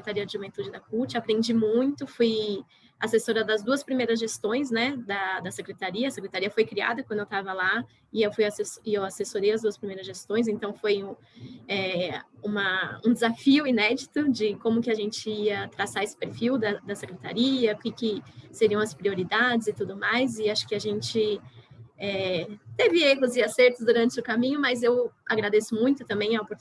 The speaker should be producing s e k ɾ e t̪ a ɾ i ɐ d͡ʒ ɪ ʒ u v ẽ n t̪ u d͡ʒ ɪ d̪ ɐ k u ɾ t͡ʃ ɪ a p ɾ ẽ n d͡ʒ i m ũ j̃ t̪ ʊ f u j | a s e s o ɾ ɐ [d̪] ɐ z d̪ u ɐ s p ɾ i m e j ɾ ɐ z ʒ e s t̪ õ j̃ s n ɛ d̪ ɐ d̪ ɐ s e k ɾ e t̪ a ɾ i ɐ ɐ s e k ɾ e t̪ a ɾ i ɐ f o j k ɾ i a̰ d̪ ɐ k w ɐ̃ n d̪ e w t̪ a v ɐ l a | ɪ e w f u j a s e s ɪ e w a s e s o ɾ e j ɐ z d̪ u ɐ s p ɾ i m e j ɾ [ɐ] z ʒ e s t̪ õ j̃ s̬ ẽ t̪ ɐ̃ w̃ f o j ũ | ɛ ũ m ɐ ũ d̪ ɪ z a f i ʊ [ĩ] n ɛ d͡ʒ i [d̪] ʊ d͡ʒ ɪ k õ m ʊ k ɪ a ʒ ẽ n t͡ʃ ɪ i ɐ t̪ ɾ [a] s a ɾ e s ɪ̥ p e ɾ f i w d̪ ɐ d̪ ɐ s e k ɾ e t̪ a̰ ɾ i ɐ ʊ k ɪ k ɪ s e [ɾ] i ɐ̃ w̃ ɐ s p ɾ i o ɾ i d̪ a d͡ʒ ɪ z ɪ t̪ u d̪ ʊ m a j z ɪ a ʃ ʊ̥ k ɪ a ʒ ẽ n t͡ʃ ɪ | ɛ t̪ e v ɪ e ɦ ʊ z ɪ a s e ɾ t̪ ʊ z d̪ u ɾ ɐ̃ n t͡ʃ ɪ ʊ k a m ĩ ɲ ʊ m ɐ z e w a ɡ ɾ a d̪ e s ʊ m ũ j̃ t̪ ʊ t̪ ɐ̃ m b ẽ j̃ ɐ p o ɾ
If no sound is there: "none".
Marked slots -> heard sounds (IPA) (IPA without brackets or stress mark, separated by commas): d̪, ɐ, i, t̪, a, ɾ